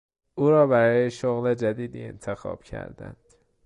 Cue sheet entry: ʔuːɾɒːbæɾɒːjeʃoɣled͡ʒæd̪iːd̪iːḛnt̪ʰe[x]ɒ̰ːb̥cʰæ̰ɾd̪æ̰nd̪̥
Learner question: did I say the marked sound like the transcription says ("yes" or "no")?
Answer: yes